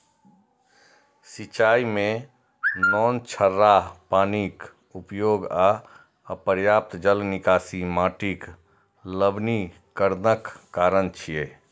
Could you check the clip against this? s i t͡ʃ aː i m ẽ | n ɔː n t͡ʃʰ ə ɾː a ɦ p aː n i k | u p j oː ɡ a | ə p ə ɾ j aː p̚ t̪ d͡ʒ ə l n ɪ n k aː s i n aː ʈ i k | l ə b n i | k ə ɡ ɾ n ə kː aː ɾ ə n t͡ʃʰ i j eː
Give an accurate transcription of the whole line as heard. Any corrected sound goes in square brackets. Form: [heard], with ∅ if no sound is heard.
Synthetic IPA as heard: s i t͡ʃ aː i m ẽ | n ɔː n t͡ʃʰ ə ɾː a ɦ p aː n i k | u p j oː ɡ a | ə p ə ɾ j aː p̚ t̪ d͡ʒ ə l n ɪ [∅] k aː s i [m] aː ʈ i k | l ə b n i | k ə [∅] ɾ n ə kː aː ɾ ə n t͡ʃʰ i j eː